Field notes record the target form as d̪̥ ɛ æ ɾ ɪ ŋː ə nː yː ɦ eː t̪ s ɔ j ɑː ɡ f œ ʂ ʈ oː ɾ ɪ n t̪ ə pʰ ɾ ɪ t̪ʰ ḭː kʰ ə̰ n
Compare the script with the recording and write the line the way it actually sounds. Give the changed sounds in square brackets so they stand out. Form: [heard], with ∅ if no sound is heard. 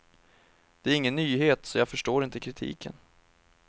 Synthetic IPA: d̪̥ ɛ æ ɾ ɪ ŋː ə nː yː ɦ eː t̪ s ɔ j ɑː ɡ f œ ʂ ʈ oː ɾ ɪ n t̪ ə [kʰ] ɾ ɪ t̪ʰ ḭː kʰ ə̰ n